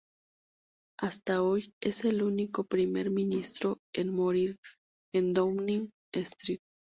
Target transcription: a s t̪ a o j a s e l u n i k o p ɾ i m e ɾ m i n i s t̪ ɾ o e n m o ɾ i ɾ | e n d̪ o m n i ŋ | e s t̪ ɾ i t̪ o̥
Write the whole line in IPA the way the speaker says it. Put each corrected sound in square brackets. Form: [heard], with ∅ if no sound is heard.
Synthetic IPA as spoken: a s t̪ a o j [e] s e l u n i k o p ɾ i m e ɾ m i n i s t̪ ɾ o e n m o ɾ i ɾ | e n d̪ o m n i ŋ | e s t̪ ɾ i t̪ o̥